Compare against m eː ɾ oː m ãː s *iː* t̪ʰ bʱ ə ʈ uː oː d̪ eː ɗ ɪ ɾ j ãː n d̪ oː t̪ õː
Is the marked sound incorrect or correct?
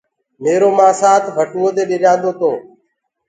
incorrect